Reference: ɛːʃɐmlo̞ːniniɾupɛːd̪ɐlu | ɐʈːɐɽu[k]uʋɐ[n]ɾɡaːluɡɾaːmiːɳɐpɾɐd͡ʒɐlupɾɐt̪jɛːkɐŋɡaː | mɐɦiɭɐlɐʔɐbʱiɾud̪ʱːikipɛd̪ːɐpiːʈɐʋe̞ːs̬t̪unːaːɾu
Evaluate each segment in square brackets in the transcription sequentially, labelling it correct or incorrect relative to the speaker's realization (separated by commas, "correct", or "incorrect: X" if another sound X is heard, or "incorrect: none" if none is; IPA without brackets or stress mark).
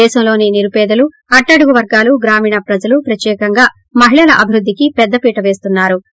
incorrect: ɡ, incorrect: none